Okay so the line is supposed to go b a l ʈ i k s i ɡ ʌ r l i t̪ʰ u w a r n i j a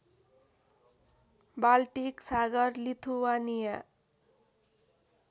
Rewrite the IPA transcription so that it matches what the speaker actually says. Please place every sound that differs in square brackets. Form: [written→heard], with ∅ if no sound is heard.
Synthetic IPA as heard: b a l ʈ i k s [i→a] ɡ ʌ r l i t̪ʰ u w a [r→∅] n i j a